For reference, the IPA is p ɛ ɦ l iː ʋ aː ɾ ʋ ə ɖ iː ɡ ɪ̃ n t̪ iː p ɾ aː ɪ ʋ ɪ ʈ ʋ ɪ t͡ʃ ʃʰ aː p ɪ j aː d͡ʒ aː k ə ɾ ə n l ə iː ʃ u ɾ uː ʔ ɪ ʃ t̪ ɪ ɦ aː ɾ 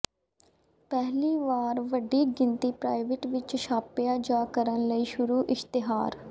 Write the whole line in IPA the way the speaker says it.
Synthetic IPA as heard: p ɛ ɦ l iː ʋ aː ɾ ʋ ə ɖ iː ɡ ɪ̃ n t̪ iː p ɾ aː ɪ ʋ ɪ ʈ ʋ ɪ t͡ʃ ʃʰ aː p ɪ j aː d͡ʒ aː k ə ɾ ə n l ə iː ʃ ʊ ɾ uː ʔ ɪ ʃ t̪ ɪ ɦ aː ɾ